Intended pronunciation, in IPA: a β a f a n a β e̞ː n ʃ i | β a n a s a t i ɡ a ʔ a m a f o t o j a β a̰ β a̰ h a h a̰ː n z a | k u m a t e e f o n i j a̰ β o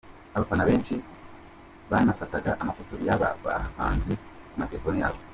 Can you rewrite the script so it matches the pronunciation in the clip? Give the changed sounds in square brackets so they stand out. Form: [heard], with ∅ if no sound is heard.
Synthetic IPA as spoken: a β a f a n a β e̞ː n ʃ i | β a n a [f] a t [a] ɡ a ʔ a m a f o t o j a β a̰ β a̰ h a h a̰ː n z [i] | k u m a t e e f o n i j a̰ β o